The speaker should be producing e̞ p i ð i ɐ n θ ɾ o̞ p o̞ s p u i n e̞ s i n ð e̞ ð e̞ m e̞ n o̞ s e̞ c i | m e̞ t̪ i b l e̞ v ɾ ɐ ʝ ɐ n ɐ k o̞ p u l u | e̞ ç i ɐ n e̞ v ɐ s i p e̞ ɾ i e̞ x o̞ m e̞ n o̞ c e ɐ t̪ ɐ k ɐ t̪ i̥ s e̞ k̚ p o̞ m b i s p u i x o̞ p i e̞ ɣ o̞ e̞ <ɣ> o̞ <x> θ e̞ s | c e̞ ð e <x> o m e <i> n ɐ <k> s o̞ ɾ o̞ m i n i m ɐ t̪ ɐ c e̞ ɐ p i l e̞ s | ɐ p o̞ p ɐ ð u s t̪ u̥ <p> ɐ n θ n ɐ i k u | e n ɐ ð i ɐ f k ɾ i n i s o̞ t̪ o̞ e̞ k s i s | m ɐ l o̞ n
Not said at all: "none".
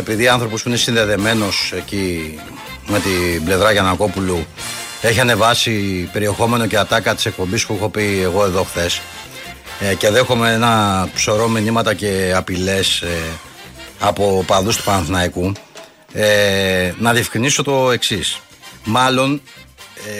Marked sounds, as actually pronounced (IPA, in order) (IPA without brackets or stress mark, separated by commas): ð, x, x, e, p, p